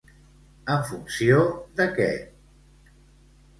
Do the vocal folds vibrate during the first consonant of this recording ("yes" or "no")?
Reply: yes